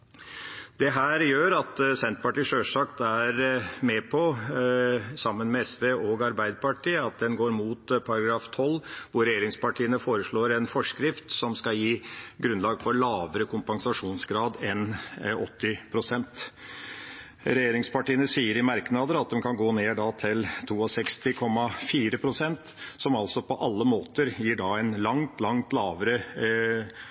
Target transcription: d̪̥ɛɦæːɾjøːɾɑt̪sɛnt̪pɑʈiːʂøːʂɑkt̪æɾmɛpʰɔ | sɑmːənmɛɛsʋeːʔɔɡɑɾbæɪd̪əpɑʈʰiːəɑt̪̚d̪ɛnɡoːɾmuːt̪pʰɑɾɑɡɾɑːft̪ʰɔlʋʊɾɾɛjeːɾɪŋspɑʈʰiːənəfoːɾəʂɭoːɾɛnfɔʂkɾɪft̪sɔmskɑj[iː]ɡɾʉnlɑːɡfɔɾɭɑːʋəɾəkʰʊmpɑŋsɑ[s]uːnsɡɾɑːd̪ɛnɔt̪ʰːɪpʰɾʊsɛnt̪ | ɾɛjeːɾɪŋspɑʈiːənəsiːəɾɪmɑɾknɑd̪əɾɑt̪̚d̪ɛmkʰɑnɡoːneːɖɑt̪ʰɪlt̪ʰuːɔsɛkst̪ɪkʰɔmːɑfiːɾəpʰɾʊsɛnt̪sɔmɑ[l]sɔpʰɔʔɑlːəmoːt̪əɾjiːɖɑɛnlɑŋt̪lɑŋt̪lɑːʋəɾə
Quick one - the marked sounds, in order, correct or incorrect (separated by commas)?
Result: correct, incorrect, correct